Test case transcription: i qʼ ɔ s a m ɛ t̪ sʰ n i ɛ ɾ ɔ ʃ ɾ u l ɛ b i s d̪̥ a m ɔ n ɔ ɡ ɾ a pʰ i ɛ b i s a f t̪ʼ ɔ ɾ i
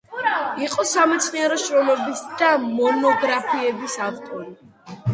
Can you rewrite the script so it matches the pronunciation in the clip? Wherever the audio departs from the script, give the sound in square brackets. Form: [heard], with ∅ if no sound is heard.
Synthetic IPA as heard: i qʼ ɔ s a m ɛ t̪ sʰ n i ɛ ɾ ɔ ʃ ɾ [ɔ] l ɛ b i s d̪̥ a m ɔ n ɔ ɡ ɾ a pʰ i ɛ b i s a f t̪ʼ ɔ ɾ i